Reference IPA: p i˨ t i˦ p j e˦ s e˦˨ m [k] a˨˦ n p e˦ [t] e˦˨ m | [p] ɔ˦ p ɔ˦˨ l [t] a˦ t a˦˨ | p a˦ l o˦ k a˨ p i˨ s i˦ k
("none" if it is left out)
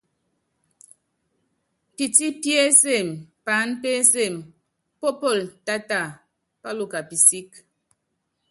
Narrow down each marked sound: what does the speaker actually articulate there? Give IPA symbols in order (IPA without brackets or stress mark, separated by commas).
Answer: p, s, p, t